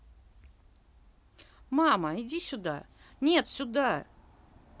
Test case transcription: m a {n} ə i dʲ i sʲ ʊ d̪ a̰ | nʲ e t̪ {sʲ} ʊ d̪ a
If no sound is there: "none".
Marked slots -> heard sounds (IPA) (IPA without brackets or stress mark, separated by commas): m, sʲ